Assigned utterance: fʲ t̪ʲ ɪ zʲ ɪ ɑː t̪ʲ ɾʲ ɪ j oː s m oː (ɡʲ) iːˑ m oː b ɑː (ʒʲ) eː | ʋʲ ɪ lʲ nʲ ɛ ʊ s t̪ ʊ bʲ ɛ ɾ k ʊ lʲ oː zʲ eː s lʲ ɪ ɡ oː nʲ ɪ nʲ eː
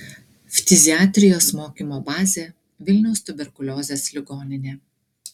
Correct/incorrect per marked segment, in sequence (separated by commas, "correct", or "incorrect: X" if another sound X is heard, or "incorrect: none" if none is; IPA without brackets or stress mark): incorrect: kʲ, incorrect: zʲ